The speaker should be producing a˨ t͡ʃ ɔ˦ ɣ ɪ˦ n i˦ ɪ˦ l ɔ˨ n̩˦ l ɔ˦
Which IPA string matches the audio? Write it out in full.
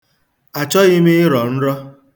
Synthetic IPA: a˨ t͡ʃ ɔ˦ ɣ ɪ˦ m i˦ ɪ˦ ɾ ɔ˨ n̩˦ ɾ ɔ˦